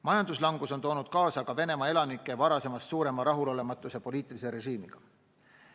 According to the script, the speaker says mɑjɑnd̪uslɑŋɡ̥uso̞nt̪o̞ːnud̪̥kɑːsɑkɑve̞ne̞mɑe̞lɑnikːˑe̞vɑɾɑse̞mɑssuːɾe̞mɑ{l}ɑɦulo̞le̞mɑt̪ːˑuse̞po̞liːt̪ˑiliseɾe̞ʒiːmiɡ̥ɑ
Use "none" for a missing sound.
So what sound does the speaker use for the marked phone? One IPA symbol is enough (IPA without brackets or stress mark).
ɾ